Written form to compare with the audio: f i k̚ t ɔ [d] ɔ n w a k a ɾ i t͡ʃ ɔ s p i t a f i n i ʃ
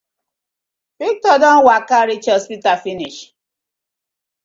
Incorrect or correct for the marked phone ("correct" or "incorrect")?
correct